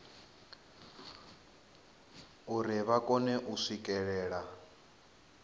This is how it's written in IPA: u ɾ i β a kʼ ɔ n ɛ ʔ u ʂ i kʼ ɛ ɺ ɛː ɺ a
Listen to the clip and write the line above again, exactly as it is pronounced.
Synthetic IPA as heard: u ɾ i β a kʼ ɔ n ɛ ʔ u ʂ i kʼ ɛ ɺ ɛː ɺ a